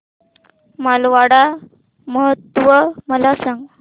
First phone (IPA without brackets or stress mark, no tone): m